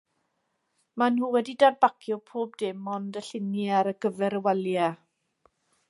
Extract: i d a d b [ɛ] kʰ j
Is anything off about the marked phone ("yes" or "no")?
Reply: yes